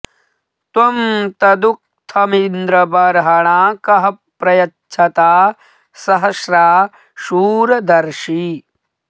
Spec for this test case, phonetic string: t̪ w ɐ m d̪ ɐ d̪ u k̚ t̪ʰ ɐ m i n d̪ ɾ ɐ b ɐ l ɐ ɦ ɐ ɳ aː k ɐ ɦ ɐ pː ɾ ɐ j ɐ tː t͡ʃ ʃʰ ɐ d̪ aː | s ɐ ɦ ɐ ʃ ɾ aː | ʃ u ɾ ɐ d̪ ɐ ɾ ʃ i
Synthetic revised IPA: t̪ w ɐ m t̪ ɐ d̪ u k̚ t̪ʰ ɐ m i n d̪ ɾ ɐ b ɐ ɾ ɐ ɦ ɐ ɳ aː k ɐ ɦ ɐ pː ɾ ɐ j ɐ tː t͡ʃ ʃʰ ɐ t̪ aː | s ɐ ɦ ɐ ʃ ɾ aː | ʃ uː ɾ ɐ d̪ ɐ ɾ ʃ i